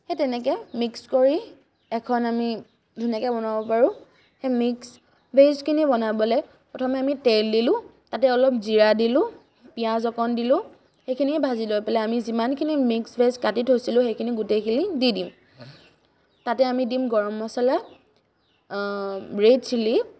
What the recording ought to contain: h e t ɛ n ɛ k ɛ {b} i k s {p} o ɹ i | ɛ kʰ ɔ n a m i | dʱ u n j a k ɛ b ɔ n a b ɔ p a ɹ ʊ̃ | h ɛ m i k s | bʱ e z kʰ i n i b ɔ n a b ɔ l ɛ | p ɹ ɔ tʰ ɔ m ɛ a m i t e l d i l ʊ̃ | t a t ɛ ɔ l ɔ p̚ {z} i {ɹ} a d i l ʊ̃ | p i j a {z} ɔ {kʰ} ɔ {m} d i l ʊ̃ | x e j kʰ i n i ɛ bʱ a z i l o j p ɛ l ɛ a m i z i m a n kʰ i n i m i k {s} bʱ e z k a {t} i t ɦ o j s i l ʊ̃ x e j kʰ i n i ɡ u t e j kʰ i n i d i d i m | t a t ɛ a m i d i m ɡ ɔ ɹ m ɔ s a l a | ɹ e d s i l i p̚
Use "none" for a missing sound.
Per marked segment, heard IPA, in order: m, k, z, ɹ, z, k, n, s, t

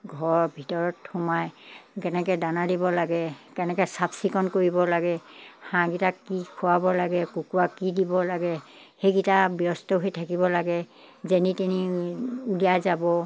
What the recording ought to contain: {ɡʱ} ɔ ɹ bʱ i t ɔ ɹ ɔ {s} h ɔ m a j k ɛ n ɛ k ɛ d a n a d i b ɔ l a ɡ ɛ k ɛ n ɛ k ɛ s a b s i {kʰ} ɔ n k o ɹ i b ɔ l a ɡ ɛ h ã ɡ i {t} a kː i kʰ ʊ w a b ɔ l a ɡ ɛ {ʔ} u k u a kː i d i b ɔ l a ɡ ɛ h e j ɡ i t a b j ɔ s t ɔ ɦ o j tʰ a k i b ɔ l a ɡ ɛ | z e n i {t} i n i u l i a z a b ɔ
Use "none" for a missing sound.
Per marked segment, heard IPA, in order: ɡʱ, t, k, t, k, t

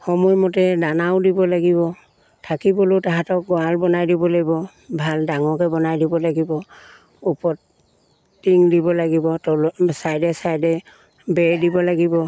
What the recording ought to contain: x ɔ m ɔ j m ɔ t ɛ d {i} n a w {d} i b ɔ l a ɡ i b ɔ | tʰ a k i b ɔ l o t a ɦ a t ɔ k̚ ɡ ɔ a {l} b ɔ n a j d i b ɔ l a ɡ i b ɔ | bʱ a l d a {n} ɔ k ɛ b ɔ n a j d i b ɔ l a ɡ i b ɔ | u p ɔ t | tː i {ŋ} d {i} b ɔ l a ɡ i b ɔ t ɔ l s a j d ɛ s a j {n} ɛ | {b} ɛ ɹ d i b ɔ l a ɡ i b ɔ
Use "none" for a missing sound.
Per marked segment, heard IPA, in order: a, d, l, ŋ, ŋ, i, d, b

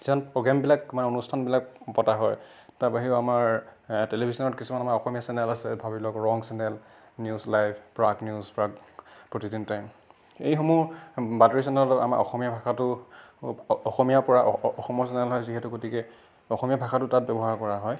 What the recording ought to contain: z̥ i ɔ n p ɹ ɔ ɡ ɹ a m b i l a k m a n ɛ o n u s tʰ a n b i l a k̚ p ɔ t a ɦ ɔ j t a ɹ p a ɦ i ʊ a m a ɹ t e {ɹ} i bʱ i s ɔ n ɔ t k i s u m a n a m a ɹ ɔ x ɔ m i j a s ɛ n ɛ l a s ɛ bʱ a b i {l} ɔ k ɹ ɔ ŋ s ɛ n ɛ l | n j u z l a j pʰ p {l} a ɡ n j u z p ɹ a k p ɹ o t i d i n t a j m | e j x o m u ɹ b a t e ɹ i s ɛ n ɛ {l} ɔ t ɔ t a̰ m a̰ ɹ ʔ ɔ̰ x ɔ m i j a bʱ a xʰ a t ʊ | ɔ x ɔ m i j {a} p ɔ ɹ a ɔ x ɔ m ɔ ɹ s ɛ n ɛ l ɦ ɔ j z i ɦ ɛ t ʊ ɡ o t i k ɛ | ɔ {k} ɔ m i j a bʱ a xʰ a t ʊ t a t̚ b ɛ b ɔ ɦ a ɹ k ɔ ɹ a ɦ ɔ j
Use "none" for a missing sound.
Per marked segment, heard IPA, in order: l, l, ɹ, l, a, x

